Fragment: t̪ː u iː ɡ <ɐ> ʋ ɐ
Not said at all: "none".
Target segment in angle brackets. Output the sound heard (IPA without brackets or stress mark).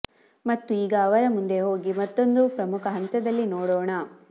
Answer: ɐː